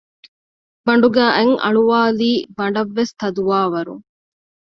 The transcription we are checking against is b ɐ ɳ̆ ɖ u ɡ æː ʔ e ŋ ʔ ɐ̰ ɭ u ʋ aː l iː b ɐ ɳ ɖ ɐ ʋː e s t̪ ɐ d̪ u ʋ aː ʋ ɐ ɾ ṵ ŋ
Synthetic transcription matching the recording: b ɐ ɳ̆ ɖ u ɡ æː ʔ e ŋ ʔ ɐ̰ ɭ u ʋ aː l iː b ɐ ɳ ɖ ɐ ʋː e s t̪ ɐ d̪ u ʋ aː ʋ ɐ ɾ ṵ ŋ